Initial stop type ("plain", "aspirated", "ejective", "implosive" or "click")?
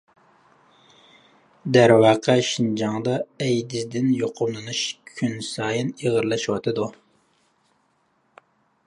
plain